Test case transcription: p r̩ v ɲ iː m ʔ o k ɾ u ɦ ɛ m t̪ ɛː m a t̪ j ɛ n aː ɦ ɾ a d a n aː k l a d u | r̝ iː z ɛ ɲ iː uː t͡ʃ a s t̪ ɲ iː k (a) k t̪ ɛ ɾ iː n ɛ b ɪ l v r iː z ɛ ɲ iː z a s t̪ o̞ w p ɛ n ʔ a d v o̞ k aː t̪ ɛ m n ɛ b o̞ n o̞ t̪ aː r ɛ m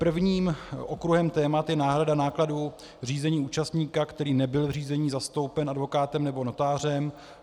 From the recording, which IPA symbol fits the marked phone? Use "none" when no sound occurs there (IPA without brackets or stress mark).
a